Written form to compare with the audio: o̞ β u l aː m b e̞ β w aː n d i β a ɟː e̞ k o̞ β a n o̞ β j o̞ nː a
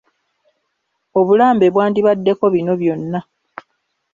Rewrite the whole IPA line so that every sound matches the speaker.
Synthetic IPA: o̞ β u l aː m b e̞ β w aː n d i β a dː e̞ k o̞ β i n o̞ β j o̞ nː a